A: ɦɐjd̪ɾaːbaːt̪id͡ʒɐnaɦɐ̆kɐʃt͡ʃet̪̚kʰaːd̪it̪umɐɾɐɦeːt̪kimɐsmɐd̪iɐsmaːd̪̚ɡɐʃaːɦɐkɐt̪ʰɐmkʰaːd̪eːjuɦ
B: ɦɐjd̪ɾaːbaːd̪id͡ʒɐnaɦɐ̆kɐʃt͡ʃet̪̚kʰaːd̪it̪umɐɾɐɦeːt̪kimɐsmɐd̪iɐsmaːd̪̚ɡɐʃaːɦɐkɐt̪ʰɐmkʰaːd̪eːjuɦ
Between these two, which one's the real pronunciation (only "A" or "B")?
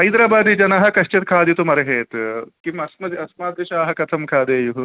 B